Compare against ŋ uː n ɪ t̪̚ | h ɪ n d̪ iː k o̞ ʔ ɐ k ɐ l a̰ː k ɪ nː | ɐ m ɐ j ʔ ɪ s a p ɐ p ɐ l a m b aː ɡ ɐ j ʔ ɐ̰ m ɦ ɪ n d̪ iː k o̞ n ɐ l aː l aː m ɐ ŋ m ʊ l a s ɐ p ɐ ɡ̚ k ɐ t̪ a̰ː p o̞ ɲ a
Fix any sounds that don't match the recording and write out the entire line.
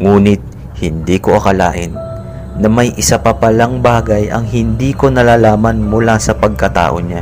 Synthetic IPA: ŋ uː n ɪ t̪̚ | h ɪ n d̪ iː k o̞ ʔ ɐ k ɐ l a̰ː ʔ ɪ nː | ɐ m ɐ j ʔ ɪ s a p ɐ p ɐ l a ŋ b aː ɡ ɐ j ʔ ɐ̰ ŋ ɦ ɪ n d̪ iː k o̞ n ɐ l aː l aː m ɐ n m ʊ l a s ɐ p ɐ ɡ̚ k ɐ t̪ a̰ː ʔ o̞ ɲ a